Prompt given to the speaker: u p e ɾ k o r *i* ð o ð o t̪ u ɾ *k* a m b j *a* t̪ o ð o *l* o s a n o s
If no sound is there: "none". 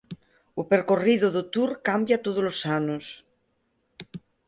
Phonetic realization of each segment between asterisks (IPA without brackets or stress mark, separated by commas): i, k, a, l